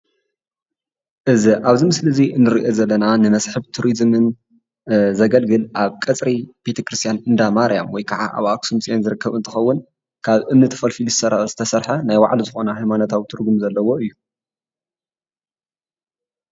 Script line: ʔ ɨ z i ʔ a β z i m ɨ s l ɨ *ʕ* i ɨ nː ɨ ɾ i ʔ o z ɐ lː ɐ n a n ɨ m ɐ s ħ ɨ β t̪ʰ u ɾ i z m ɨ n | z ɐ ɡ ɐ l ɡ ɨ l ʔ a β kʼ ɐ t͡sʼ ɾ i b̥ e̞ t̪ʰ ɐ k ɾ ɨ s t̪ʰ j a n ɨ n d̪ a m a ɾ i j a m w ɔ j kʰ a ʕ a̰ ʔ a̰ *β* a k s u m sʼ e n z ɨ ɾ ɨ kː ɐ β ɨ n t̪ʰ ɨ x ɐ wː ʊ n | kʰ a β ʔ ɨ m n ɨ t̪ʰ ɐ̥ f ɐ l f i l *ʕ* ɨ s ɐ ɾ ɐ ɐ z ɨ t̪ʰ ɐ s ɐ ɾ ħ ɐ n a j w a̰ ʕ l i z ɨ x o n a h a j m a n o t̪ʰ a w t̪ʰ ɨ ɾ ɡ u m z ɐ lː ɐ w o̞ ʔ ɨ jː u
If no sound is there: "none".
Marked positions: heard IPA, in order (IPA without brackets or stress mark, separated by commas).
z, β, z